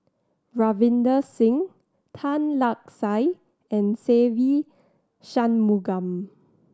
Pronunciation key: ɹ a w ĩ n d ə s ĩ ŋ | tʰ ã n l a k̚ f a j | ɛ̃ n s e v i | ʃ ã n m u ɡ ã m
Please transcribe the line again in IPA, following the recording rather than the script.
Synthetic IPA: ɹ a v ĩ n d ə s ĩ ŋ | tʰ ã n l a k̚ s a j | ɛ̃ n s e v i | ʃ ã n m u ɡ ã m